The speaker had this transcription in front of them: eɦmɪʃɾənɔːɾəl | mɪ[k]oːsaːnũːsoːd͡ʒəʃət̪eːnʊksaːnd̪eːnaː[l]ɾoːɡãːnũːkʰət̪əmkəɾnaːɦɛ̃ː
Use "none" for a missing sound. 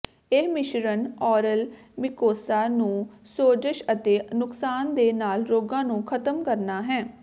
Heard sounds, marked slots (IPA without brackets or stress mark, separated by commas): k, l